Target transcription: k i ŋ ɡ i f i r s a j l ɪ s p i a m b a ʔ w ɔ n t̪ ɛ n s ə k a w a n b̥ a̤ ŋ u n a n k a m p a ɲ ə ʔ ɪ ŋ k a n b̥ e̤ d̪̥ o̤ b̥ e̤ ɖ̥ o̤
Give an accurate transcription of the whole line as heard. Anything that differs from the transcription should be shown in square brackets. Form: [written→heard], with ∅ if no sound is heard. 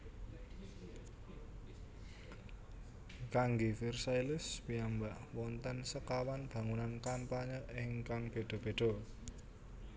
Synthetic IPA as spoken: k [i→a] ŋ ɡ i f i r s a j l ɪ s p i a m b a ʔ w ɔ n t̪ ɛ n s ə k a w a n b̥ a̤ ŋ u n a n k a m p a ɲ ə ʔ ɪ ŋ k a [n→ŋ] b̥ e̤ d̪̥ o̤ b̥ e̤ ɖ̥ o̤